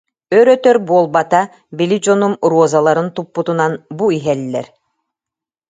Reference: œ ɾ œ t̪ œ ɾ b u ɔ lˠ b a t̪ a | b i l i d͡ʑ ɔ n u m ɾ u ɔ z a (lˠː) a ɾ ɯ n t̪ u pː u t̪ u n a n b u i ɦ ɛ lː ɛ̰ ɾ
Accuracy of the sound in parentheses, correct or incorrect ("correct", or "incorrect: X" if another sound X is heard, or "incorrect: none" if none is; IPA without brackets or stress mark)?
incorrect: lˠ